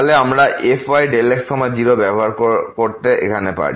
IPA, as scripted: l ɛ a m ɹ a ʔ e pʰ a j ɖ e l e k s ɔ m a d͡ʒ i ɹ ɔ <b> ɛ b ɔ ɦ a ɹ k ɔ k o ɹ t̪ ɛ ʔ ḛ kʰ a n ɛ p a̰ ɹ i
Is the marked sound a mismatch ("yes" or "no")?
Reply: no